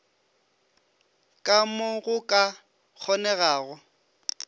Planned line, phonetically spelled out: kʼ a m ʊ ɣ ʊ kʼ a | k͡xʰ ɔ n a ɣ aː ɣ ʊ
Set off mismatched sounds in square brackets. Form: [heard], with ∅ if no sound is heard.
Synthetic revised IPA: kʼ a m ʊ ɣ ʊ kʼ a | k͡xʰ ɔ n [ɛ] ɣ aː ɣ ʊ